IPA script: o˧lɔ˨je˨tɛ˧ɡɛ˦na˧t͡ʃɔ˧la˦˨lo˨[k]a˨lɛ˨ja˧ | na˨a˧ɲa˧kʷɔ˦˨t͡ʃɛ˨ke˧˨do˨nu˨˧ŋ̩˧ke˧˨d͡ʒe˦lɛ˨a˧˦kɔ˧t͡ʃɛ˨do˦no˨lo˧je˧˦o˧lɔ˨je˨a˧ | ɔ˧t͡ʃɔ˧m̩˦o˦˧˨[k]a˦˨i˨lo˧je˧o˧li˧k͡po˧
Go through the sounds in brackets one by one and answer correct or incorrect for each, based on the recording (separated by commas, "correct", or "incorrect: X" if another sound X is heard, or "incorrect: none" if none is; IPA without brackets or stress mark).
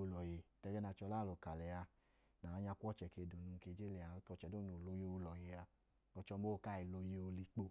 correct, correct